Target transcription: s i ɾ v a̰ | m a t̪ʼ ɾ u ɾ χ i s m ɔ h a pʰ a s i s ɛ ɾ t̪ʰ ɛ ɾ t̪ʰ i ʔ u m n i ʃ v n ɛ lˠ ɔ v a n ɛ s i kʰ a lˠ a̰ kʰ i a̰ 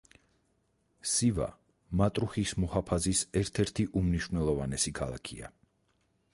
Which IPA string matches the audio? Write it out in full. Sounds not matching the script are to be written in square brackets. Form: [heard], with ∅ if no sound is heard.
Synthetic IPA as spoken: s i [∅] v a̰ | m a t̪ʼ ɾ u [∅] χ i s m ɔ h a pʰ a [z] i s ɛ ɾ t̪ʰ ɛ ɾ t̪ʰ i ʔ u m n i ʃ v n ɛ lˠ ɔ v a n ɛ s i kʰ a lˠ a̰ kʰ i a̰

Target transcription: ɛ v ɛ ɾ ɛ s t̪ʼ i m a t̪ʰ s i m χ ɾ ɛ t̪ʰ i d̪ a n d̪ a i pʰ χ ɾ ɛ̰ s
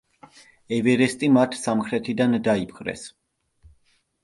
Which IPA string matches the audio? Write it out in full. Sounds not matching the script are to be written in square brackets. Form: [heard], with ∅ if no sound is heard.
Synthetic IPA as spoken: ɛ v ɛ ɾ ɛ s t̪ʼ i m a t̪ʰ s [a] m χ ɾ ɛ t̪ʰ i d̪ a n d̪ a i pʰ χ ɾ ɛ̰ s

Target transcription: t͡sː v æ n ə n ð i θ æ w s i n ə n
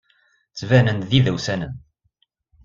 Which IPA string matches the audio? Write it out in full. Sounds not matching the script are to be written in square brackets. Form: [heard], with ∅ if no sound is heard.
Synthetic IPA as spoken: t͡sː v æ n ə n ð i [ð] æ w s [æ] n ə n

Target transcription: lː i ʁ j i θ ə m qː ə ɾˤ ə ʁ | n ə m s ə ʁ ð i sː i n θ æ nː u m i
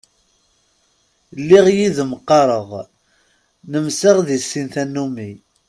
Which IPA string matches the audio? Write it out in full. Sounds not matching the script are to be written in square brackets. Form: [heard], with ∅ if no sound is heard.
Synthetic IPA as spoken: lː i ʁ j i [ð] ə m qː [ɑ] ɾˤ ə ʁ | n ə m s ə ʁ ð i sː i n θ æ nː u m i

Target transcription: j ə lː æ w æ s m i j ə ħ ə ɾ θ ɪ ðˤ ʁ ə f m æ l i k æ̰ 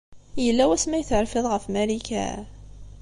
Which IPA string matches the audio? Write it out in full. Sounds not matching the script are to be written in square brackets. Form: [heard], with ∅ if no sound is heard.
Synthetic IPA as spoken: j ə lː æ w æ s m [æ] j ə [θ] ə ɾ [f] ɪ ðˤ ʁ ə f m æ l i k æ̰

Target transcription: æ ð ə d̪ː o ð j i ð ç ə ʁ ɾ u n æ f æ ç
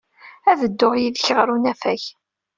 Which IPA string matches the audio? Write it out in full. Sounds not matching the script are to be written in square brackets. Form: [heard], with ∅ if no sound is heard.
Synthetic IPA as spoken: æ ð ə d̪ː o [ʁ] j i ð ç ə ʁ ɾ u n æ f æ ç

